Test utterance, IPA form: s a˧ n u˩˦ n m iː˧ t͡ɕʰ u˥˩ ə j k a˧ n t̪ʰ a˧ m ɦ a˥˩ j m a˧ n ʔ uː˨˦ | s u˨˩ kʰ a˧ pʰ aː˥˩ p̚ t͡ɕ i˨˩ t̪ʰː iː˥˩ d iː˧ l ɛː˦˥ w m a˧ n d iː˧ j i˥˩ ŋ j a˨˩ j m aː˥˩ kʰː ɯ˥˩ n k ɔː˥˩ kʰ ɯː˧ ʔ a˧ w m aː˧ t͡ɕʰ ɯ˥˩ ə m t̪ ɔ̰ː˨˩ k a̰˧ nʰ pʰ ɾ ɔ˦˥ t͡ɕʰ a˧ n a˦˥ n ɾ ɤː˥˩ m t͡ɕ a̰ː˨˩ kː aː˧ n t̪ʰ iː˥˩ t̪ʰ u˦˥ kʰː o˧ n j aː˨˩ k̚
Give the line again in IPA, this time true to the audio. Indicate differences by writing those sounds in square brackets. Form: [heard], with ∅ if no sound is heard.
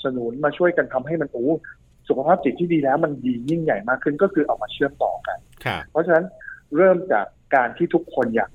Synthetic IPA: s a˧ n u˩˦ n m [aː˧] t͡ɕʰ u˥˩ ə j k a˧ n t̪ʰ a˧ m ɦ a˥˩ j m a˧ n ʔ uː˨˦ | s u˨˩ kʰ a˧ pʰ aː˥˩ p̚ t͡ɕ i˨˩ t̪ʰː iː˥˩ d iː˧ l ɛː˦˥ w m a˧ n d iː˧ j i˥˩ ŋ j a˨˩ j m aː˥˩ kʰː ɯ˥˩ n k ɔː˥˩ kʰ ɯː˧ ʔ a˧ w m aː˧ t͡ɕʰ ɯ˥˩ ə m t̪ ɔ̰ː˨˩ k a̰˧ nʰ pʰ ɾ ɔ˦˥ t͡ɕʰ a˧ n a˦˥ n ɾ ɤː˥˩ m t͡ɕ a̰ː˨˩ kː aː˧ n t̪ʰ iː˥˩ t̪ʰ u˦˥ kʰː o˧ n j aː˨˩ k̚